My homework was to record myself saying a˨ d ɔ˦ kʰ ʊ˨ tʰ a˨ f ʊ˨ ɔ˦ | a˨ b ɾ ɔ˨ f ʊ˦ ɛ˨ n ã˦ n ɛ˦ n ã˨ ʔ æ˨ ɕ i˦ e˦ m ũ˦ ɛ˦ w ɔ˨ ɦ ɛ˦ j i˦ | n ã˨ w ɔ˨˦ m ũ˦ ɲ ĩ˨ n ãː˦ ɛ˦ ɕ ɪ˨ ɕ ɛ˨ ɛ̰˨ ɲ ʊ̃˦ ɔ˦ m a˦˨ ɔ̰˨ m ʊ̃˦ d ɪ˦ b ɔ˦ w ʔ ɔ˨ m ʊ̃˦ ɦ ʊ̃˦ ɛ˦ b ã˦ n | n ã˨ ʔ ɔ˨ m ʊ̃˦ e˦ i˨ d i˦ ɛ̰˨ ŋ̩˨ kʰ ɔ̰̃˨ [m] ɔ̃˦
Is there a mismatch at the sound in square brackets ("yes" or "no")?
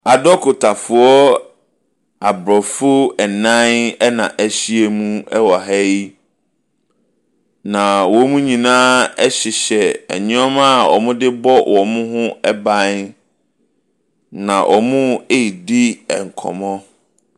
no